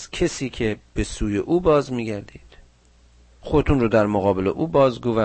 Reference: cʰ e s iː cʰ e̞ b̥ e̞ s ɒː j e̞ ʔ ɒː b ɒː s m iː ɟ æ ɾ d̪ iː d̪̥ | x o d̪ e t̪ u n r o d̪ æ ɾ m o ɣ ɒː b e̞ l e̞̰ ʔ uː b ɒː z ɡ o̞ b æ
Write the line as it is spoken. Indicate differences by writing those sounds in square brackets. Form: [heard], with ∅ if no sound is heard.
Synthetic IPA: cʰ e s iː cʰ e̞ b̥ e̞ s [uː] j e̞ ʔ [uː] b ɒː [z] m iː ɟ æ ɾ d̪ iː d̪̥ | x o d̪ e t̪ u n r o d̪ æ ɾ m o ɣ ɒː b e̞ l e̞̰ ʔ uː b ɒː z ɡ o̞ [v] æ